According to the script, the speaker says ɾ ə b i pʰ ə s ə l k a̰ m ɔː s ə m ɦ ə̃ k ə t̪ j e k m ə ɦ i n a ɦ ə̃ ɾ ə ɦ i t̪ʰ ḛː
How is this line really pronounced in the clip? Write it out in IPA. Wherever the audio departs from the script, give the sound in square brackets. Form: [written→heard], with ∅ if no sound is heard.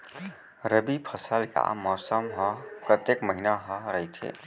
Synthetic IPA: ɾ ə b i pʰ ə s ə l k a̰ m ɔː s ə m ɦ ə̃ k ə t̪ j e k m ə ɦ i n a ɦ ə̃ ɾ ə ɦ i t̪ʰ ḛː